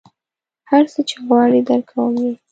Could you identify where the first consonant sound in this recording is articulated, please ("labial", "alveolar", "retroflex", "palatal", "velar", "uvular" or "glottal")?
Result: glottal